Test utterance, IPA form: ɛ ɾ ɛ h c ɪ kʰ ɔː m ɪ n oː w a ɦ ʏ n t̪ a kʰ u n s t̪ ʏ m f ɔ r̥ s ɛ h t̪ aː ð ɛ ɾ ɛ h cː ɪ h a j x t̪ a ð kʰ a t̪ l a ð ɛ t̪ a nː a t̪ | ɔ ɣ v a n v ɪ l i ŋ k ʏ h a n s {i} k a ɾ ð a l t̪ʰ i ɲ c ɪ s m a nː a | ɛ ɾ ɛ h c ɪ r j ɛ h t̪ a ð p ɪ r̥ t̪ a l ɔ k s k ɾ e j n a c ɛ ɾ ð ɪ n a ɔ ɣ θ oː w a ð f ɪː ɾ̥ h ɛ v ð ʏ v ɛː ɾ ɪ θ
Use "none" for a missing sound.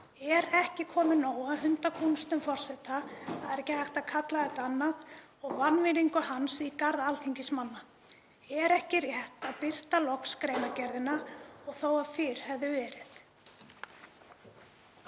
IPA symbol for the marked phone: i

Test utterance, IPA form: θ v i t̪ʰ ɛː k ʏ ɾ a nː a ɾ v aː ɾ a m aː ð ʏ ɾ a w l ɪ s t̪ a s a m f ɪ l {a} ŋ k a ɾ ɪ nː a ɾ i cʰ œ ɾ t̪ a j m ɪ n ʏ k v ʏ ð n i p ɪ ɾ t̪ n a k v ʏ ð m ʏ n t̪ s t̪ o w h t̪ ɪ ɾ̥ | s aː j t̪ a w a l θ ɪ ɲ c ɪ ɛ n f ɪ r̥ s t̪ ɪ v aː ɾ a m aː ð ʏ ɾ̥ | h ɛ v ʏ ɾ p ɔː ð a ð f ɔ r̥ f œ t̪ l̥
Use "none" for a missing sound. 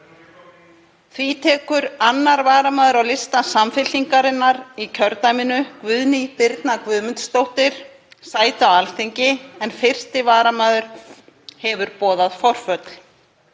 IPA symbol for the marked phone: i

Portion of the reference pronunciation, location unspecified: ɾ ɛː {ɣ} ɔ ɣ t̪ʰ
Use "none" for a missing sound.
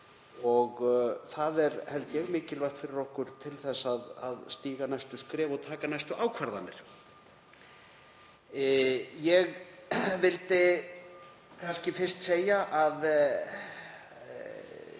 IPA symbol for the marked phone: v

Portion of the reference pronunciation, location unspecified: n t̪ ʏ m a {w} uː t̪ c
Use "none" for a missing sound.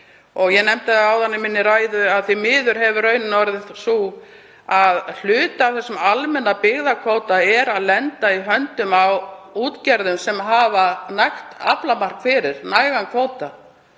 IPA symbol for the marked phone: w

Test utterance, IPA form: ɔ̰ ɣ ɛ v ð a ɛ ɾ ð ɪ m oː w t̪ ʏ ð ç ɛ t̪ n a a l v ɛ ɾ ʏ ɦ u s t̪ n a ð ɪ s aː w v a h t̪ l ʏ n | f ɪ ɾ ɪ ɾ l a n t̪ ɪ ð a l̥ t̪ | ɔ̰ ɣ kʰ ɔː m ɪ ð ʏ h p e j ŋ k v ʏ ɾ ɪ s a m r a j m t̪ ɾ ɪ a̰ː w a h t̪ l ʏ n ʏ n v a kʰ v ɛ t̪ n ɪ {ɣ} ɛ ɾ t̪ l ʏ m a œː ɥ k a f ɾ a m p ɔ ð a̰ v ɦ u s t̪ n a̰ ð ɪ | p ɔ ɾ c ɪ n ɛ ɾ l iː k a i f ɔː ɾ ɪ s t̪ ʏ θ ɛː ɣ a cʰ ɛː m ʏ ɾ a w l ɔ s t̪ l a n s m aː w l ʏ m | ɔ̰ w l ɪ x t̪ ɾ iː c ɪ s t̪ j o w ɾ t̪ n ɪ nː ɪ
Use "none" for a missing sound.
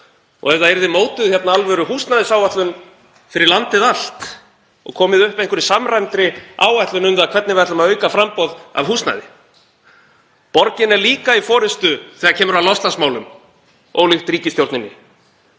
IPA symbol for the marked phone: v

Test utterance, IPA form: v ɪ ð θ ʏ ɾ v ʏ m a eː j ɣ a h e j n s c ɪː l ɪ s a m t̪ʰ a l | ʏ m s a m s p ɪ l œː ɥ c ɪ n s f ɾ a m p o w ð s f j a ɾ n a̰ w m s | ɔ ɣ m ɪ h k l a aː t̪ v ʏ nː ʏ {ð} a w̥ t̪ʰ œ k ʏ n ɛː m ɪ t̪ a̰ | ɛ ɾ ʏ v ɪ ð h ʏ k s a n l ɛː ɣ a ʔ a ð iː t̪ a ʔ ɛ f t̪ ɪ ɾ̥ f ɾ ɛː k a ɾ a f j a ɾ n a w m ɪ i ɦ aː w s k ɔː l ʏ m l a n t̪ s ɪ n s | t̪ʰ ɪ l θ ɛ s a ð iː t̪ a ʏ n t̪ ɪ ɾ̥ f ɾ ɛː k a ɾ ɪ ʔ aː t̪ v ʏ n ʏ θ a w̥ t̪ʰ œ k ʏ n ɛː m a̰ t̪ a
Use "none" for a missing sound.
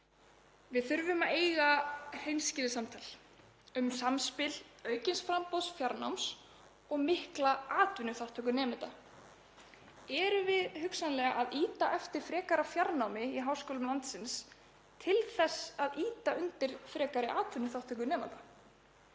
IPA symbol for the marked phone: θ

